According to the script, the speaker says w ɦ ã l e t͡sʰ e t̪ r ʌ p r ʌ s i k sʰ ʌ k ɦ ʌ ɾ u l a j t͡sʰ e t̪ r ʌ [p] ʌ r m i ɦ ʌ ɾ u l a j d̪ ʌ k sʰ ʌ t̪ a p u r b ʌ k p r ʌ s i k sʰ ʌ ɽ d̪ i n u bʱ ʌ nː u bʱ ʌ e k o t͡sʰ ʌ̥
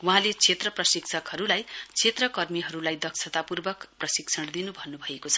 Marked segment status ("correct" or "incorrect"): incorrect